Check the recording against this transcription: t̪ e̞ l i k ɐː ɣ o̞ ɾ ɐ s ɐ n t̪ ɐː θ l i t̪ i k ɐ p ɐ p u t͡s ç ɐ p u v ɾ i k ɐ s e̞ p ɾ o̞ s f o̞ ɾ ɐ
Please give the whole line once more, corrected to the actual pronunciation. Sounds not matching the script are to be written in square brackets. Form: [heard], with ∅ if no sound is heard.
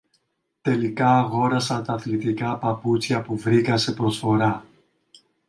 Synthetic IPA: t̪ e̞ l i k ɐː ɣ o̞ ɾ ɐ s ɐ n t̪ ɐː θ l i t̪ i k ɐ p ɐ p u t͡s ç ɐ p u v ɾ i k ɐ s e̞ p ɾ o̞ s f o̞ ɾ ɐ